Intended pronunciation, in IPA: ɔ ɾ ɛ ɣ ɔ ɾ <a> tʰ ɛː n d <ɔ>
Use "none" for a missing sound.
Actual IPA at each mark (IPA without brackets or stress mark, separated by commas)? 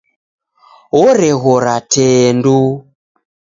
a, u